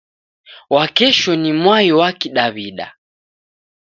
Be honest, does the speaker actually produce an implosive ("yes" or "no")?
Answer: yes